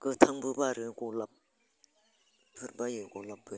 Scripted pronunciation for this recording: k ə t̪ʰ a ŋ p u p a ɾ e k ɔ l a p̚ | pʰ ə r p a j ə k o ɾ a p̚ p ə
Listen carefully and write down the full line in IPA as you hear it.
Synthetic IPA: k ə t̪ʰ a ŋ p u p a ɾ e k o l a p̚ | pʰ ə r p a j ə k o l a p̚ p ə